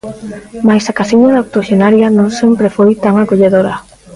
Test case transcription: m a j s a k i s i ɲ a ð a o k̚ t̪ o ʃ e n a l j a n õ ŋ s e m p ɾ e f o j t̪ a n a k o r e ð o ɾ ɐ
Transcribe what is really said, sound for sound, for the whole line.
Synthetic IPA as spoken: m a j s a k a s i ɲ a ð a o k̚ t̪ o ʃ e n a ɾ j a n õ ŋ s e m p ɾ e f o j t̪ a ŋ a k o ʎ e ð o ɾ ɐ

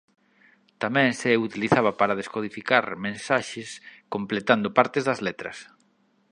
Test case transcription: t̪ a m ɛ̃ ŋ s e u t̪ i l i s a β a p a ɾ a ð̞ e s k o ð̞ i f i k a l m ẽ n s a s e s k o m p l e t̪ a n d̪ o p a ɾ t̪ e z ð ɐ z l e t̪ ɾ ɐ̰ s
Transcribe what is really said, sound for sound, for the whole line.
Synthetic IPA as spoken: t̪ a m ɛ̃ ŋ s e u t̪ i l i θ a β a p a ɾ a ð̞ e s k o ð̞ i f i k a ɾ m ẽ n s a ʃ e s k o m p l e t̪ a n d̪ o p a ɾ t̪ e z ð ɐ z l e t̪ ɾ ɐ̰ s

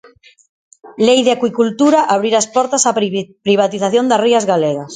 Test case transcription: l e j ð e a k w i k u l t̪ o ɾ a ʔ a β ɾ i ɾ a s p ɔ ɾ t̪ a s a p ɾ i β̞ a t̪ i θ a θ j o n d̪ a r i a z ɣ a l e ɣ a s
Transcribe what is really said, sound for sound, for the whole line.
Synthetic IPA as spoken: l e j ð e a k w i k u l t̪ u ɾ a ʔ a β ɾ i ɾ a s p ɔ ɾ t̪ a s a p ɾ i β̞ a t̪ i θ a θ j o n d̪ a r i a z ɣ a l e ɣ a s

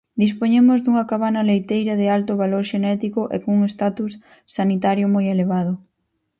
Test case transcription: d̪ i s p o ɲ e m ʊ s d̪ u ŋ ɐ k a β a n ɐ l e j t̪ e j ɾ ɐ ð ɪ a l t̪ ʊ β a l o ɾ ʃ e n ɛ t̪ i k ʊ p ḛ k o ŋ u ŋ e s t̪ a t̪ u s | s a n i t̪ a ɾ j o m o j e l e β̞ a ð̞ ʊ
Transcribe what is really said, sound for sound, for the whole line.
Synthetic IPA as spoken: d̪ i s p o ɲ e m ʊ z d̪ u ŋ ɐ k a β a n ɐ l e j t̪ e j ɾ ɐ ð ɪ a l t̪ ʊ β a l o ɾ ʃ e n ɛ t̪ i k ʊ ʔ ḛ k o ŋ u ŋ e s t̪ a t̪ u s | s a n i t̪ a ɾ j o m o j e l e β̞ a ð̞ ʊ

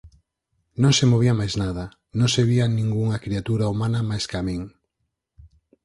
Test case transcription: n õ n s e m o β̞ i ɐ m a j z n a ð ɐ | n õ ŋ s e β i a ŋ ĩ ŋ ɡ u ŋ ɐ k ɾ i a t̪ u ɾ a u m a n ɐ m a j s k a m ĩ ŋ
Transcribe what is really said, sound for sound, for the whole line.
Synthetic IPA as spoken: n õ ŋ s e m o β̞ i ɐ m a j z n a ð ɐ | n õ ŋ s e β i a n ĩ ŋ ɡ u ŋ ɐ k ɾ i a t̪ u ɾ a u m a n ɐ m a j s k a m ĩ ŋ

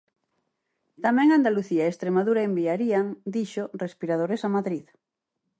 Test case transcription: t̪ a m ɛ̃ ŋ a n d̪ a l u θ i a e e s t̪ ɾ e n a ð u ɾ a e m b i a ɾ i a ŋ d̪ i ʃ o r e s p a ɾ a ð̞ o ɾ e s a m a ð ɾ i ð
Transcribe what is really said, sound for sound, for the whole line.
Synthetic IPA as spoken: t̪ a m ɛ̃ ŋ a n d̪ a l u θ i a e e s t̪ ɾ e m a ð u ɾ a e m b i a ɾ i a ŋ d̪ i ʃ o r e s p i ɾ a ð̞ o ɾ e s a m a ð ɾ i ð

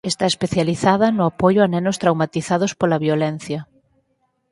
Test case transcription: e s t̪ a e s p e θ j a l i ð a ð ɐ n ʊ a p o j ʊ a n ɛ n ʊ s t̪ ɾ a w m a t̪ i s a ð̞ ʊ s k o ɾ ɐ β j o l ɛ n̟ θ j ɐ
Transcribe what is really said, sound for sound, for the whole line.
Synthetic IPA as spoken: e s t̪ a e s p e θ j a l i θ a ð ɐ n ʊ a p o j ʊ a n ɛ n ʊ s t̪ ɾ a w m a t̪ i θ a ð̞ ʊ s p o l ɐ β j o l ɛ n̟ θ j ɐ

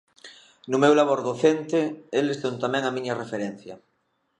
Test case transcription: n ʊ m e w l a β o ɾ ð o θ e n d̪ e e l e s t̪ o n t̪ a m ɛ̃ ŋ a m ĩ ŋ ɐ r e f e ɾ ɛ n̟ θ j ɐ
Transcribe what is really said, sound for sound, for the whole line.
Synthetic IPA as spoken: n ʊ m e w l a β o ɾ ð o θ e n t̪ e e l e s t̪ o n t̪ a m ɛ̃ ŋ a m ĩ ɲ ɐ r e f e ɾ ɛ n̟ θ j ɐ

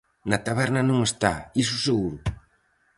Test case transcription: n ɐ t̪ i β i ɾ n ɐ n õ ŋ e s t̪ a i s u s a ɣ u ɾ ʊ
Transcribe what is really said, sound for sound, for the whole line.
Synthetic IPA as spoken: n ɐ t̪ a β ɛ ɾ n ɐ n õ ŋ e s t̪ a i s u s e ɣ u ɾ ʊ

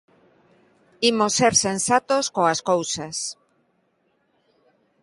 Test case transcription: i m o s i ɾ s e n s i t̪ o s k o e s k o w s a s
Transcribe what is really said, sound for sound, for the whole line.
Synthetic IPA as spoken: i m o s e ɾ s e n s a t̪ o s k o a s k o w s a s

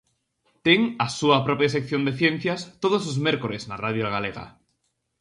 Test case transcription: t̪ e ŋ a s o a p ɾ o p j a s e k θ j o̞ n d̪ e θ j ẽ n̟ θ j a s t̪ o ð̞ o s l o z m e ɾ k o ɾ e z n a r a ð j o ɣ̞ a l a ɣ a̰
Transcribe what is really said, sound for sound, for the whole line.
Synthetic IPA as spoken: t̪ e ŋ a s u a p ɾ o p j a s e k θ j o̞ n d̪ e θ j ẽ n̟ θ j a s t̪ o ð̞ o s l o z m e ɾ k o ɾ e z n a r a ð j o ɣ̞ a l e ɣ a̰

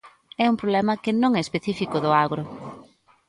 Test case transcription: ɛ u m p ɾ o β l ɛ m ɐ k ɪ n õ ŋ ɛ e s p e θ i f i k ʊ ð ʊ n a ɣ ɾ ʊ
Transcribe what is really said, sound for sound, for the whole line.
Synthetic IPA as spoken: ɛ u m p ɾ o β l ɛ m ɐ k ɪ n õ ŋ ɛ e s p e θ i f i k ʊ ð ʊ a ɣ ɾ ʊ

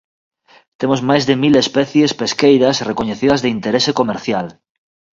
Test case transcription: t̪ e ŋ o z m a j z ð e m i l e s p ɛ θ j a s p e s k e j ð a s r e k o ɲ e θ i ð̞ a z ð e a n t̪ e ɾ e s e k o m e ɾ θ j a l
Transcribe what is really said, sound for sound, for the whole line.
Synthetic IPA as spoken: t̪ e m o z m a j z ð e m i l e s p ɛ θ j e s p e s k e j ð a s r e k o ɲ e θ i ð̞ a z ð e i n t̪ e ɾ e s e k o m e ɾ θ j a l

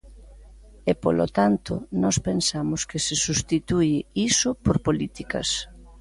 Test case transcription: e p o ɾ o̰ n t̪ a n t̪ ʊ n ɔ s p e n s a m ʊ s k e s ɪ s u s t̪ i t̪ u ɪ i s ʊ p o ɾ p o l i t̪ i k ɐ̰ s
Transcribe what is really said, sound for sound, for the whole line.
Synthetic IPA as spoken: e p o l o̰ t̪ a n t̪ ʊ n ɔ s p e n s a m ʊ s k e s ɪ s u s t̪ i t̪ u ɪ i s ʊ p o ɾ p o l i t̪ i k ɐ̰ s

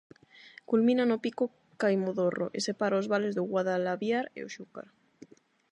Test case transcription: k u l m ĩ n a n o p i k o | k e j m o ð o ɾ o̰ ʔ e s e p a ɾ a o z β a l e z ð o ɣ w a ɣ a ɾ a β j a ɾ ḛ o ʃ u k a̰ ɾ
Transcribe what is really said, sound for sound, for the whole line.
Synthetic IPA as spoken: k u l m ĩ n a n o p i k o | k a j m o ð o r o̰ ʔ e s e p a ɾ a o z β a l e z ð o ɣ w a ð a l a β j a ɾ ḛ o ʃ u k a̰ ɾ

